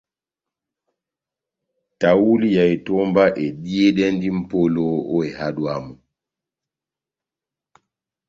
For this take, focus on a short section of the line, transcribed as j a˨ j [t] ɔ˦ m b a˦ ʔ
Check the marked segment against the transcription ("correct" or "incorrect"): correct